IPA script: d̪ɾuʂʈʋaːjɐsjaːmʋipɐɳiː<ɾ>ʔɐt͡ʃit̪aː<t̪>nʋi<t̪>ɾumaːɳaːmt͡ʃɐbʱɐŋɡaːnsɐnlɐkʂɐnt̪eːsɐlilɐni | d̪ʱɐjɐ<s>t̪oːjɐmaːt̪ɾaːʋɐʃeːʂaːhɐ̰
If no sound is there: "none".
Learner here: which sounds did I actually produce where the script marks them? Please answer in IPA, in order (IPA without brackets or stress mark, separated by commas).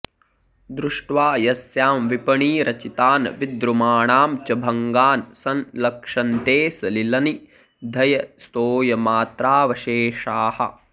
ɾ, none, d̪, s